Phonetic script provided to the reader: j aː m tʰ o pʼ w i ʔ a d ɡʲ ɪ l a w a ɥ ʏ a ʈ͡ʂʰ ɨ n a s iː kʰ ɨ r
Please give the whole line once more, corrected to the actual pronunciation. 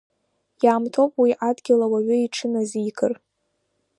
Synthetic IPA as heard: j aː m tʰ o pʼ w i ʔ a d ɡʲ ɪ l a w a ɥ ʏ i ʈ͡ʂʰ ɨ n a z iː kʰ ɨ r